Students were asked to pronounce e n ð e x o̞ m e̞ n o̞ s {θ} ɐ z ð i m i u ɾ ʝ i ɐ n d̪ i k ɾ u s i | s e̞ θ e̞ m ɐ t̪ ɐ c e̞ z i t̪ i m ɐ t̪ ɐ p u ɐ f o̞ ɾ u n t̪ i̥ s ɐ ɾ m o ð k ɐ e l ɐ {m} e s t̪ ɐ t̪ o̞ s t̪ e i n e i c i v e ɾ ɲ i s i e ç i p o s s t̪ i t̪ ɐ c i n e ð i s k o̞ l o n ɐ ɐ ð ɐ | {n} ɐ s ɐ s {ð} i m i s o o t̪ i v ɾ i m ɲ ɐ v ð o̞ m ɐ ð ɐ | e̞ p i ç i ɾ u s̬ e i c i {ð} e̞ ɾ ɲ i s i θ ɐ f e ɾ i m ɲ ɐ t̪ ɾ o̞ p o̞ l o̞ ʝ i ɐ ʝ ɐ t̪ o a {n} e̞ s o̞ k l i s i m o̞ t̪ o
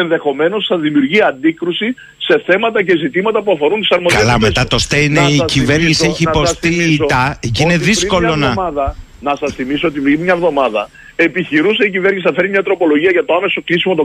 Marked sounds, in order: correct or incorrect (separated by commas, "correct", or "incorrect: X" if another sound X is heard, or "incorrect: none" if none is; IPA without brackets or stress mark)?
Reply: correct, correct, correct, incorrect: θ, incorrect: v, incorrect: m